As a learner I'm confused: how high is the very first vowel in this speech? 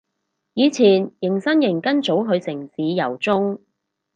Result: high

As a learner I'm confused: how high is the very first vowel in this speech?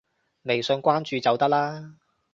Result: mid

